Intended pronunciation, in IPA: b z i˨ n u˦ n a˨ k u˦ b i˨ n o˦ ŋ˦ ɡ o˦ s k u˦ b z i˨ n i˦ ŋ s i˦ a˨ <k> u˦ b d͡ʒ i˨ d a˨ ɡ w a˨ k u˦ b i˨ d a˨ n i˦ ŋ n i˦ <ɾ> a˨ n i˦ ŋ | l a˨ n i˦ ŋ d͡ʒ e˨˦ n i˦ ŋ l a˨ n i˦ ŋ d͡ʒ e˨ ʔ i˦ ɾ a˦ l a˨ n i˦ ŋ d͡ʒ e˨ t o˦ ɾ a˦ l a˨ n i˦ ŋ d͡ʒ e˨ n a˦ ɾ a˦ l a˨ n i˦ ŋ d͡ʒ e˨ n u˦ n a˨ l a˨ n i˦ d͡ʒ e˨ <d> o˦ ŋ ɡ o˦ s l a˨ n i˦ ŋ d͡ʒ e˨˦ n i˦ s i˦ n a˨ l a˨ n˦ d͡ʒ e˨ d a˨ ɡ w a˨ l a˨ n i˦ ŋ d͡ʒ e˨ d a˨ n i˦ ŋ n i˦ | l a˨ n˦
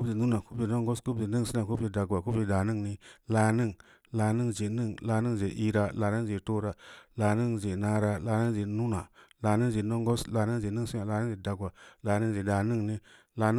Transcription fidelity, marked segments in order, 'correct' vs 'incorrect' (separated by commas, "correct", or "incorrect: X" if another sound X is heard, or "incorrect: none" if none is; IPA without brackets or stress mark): correct, incorrect: l, incorrect: n